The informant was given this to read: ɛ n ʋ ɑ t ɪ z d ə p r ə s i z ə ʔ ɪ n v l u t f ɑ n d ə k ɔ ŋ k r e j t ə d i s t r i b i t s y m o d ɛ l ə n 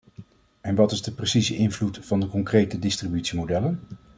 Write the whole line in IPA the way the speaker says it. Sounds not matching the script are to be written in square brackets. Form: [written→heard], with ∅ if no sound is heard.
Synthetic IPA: ɛ n ʋ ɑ t ɪ z d ə p r ə s i z ə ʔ ɪ n v l u t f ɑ n d ə k ɔ ŋ k r e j t ə d [i→ɪ] s t r i b [i→y] t s [y→i] m o d ɛ l ə n